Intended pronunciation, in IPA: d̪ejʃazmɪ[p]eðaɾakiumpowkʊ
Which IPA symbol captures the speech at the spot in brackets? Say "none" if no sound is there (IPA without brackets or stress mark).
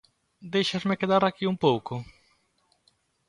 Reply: k